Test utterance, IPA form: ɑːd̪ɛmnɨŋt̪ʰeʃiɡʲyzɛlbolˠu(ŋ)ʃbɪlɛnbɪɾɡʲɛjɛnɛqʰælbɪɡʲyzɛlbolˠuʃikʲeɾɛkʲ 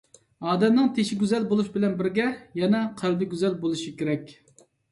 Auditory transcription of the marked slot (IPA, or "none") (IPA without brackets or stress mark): none